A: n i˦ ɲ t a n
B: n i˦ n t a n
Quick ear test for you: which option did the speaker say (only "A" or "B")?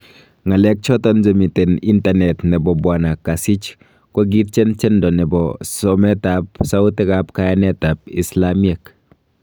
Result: B